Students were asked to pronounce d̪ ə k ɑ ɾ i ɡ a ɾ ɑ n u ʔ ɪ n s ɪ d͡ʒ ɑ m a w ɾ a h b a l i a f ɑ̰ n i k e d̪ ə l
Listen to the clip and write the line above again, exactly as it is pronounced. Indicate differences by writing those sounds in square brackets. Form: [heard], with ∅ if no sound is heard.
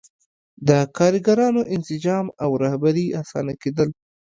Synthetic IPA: d̪ ə k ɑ ɾ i ɡ a ɾ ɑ n [o] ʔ ɪ n s ɪ d͡ʒ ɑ m a w ɾ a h b a [ɾ] i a [s] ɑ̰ n [a] k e d̪ ə l